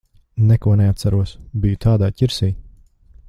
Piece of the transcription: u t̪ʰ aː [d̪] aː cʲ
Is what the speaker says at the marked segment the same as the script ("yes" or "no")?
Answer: yes